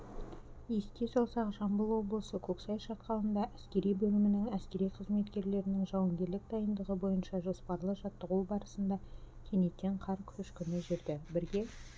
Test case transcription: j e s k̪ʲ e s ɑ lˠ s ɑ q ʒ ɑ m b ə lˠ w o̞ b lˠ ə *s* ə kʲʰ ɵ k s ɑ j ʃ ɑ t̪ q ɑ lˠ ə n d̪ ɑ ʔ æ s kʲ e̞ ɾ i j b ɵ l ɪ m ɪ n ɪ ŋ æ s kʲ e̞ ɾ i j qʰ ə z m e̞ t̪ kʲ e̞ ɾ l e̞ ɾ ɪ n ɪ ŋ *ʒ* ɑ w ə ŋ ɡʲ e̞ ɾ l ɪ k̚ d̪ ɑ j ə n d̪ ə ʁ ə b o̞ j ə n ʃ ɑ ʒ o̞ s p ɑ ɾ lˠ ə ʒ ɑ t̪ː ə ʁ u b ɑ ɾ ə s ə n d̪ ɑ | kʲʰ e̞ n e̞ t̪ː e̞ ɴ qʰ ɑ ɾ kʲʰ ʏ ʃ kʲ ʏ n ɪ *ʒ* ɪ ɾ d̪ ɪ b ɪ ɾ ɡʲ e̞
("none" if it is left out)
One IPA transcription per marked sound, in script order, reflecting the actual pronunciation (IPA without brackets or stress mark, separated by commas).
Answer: s, ʒ, ʒ